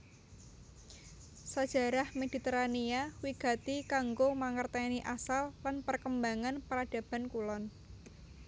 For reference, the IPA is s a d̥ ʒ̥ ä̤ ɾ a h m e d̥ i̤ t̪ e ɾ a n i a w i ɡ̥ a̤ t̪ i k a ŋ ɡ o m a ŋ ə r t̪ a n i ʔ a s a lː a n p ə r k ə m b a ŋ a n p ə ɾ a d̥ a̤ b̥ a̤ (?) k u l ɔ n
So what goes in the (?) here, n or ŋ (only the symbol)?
n